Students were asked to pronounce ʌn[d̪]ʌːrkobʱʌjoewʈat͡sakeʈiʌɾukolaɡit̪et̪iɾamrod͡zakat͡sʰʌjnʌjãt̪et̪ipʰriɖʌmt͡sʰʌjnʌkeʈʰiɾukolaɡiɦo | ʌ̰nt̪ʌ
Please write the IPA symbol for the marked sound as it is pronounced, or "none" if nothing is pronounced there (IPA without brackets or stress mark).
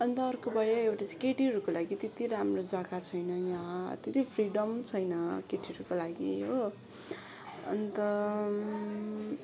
t̪